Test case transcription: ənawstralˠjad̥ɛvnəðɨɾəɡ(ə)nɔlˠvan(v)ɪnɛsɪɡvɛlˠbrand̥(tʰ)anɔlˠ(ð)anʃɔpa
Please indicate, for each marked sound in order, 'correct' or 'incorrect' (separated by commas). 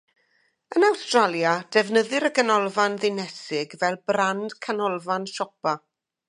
correct, incorrect, incorrect, incorrect